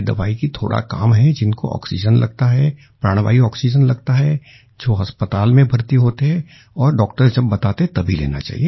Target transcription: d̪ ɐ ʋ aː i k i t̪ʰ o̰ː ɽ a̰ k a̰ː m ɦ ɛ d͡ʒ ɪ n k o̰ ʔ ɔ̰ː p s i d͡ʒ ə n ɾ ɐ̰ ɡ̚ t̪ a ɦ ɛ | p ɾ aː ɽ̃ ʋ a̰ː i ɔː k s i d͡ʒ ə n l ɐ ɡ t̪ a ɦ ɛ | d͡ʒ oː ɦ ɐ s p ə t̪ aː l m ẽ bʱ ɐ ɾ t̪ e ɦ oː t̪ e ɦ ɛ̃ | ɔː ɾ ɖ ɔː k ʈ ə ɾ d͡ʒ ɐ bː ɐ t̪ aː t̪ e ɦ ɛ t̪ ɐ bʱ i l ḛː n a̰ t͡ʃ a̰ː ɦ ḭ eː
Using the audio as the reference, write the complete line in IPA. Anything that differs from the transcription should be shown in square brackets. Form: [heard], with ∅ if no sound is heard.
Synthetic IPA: d̪ ɐ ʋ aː i k i t̪ʰ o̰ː ɽ a̰ k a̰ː m ɦ ɛ d͡ʒ ɪ n k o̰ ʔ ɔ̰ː [k] s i d͡ʒ ə n [l] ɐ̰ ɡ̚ t̪ a ɦ ɛ | p ɾ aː ɽ̃ ʋ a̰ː i ɔː k s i d͡ʒ ə n l ɐ ɡ t̪ a ɦ ɛ | d͡ʒ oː ɦ ɐ s p ə t̪ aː l m ẽ bʱ ɐ ɾ t̪ [i] ɦ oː t̪ e ɦ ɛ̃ | ɔː ɾ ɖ ɔː k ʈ ə ɾ d͡ʒ ɐ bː ɐ t̪ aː t̪ e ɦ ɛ t̪ ɐ bʱ i l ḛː n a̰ t͡ʃ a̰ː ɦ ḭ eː